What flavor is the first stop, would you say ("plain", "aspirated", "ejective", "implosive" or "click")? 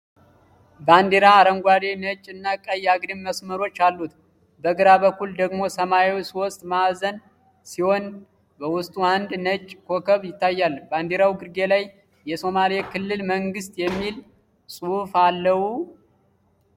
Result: plain